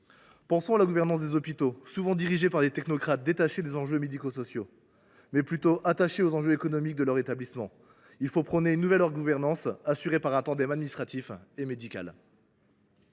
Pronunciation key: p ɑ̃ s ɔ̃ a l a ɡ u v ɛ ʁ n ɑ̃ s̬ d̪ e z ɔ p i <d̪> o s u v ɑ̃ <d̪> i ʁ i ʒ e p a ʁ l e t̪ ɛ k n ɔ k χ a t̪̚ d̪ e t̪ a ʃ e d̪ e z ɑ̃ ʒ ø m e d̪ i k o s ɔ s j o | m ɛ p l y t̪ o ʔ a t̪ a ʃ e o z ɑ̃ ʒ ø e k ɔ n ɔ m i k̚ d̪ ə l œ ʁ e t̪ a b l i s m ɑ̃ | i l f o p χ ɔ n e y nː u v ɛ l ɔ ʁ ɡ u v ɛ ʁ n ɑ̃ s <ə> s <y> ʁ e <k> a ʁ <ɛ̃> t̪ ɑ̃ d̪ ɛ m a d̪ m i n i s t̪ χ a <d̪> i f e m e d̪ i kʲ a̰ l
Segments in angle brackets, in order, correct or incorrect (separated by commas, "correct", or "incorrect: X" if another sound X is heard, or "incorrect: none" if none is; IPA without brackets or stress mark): incorrect: t̪, correct, incorrect: a, correct, incorrect: p, correct, incorrect: t̪